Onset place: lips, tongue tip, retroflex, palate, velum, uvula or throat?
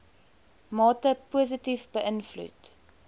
lips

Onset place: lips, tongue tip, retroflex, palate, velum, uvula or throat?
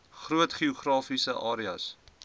uvula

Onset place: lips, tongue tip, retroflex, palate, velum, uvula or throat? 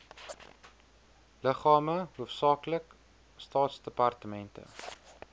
tongue tip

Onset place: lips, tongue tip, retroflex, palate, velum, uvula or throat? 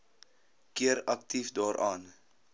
velum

